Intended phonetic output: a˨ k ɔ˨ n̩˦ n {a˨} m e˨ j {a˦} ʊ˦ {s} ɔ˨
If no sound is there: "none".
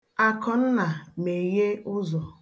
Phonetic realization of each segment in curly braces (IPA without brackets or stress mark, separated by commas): a˨, e˦, z